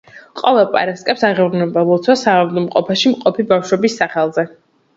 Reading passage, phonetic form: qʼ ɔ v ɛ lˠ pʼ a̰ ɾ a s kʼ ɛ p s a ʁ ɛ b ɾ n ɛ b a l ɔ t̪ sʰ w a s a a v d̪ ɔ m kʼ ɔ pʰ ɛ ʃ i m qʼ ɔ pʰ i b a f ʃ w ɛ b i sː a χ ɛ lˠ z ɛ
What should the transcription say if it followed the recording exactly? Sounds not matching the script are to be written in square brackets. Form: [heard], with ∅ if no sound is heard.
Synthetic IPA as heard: qʼ ɔ v ɛ lˠ pʼ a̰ ɾ a s kʼ ɛ p s a ʁ ɛ [v] ɾ n ɛ b a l ɔ t̪ sʰ w a s a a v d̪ ɔ m [qʼ] ɔ pʰ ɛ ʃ i m qʼ ɔ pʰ i b a f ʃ w ɛ b i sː a χ ɛ lˠ z ɛ